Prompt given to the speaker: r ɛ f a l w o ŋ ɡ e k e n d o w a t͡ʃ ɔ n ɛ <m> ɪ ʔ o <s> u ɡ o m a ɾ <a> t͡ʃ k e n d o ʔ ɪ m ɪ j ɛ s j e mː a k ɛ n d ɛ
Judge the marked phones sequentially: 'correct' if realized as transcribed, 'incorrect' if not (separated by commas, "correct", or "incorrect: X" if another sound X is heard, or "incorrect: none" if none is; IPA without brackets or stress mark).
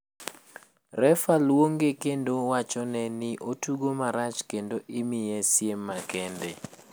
incorrect: n, incorrect: t, correct